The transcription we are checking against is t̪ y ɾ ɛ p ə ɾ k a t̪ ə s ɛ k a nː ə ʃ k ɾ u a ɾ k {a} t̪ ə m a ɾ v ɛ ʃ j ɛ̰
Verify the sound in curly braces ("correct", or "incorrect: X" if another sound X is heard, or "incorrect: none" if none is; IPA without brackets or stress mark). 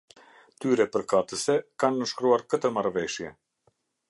incorrect: ə